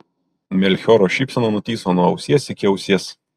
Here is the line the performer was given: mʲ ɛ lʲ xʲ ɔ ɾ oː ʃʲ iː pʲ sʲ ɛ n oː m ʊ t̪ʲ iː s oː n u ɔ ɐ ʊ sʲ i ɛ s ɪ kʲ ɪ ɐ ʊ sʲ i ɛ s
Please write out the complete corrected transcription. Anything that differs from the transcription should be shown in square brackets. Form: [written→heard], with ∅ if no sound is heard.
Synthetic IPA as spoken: mʲ ɛ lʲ xʲ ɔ ɾ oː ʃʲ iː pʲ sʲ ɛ n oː [m→n] ʊ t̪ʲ iː s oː n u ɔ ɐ ʊ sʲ i ɛ s ɪ kʲ ɪ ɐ ʊ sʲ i ɛ s